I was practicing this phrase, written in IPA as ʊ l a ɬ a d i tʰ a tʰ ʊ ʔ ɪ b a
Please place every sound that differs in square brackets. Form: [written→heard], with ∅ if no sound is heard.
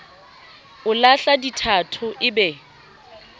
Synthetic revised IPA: ʊ l a ɬ a d i tʰ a tʰ ʊ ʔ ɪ b [a→ɛ]